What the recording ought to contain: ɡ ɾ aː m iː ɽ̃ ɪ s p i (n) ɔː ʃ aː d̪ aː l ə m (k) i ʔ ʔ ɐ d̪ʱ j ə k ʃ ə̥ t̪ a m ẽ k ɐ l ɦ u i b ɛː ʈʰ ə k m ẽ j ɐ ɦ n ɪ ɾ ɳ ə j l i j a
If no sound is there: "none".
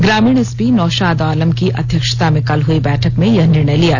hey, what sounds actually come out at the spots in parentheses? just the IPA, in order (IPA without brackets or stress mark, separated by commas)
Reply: n, k